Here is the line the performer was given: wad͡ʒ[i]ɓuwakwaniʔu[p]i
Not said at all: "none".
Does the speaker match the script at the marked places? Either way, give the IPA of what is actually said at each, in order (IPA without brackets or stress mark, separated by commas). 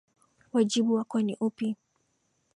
i, p